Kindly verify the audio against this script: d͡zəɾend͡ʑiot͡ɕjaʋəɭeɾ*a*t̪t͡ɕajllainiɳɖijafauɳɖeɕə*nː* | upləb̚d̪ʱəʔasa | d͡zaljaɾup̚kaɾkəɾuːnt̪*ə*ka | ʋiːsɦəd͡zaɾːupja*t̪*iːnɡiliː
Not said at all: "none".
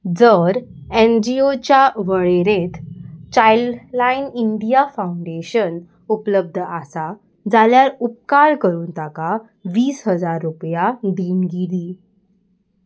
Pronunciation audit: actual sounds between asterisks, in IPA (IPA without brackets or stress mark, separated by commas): e, n, a, d̪